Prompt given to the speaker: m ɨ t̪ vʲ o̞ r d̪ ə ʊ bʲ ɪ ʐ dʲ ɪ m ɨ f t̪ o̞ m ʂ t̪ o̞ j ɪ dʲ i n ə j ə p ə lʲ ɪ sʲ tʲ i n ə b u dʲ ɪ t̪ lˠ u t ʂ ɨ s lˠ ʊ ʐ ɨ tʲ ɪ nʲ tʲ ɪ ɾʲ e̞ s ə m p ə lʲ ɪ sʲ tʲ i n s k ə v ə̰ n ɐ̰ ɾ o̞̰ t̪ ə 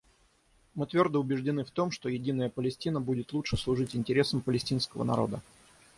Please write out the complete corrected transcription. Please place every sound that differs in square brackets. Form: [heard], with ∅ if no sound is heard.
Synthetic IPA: m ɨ t̪ vʲ o̞ r d̪ ə ʊ bʲ ɪ ʐ dʲ ɪ [n] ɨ f t̪ o̞ m ʂ t̪ o̞ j ɪ dʲ i n ə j ə p ə lʲ ɪ sʲ tʲ i n ə b u dʲ ɪ t̪ lˠ u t ʂ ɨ s lˠ ʊ ʐ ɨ tʲ ɪ nʲ tʲ ɪ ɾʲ e̞ s ə m p ə lʲ ɪ sʲ tʲ i n s k ə v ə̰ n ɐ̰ ɾ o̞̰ [d̪] ə